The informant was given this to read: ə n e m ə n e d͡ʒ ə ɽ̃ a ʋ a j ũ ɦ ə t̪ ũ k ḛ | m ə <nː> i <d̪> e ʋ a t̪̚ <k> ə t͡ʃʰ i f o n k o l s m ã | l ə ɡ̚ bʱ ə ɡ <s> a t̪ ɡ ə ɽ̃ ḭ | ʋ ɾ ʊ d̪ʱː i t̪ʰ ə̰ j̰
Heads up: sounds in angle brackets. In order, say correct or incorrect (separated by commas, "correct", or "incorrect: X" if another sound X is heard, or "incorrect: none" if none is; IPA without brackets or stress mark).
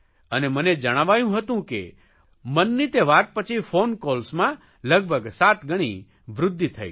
correct, incorrect: t̪, incorrect: p, correct